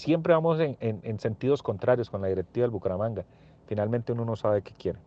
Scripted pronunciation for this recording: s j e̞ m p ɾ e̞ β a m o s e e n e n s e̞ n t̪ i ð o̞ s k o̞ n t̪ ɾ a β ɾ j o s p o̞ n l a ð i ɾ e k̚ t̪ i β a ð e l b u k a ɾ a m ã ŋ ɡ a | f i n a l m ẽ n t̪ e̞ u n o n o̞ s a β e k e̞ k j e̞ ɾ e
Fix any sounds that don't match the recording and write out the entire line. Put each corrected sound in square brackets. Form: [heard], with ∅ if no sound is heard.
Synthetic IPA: s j e̞ m p ɾ e̞ β a m o s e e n e n s e̞ n t̪ i ð o̞ s k o̞ n t̪ ɾ a [∅] ɾ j o s [k] o̞ n l a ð i ɾ e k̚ t̪ i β a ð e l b u k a ɾ a m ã ŋ ɡ a | f i n a l m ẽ n t̪ e̞ u n o n o̞ s a β e k e̞ k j e̞ ɾ e